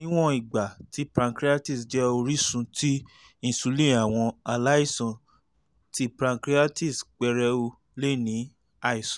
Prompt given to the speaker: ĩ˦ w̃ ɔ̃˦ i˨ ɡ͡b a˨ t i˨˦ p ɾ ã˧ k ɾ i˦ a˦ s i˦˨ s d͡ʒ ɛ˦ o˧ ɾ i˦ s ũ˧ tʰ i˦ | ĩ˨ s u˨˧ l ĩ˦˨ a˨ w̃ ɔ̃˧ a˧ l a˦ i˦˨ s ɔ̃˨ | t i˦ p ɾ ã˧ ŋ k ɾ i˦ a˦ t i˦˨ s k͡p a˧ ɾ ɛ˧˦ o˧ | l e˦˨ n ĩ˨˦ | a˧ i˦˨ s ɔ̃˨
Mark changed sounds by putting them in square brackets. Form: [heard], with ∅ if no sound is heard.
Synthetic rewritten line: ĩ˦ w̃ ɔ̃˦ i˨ ɡ͡b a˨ t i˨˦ p ɾ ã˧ k ɾ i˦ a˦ [t] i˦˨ s d͡ʒ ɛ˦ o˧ ɾ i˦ s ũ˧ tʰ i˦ | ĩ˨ s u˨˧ l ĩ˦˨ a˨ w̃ ɔ̃˧ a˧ l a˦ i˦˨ s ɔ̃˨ | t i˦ p ɾ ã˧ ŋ k ɾ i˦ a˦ t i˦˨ s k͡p [ɛ˧] ɾ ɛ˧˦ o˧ | l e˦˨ n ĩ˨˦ | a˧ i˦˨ s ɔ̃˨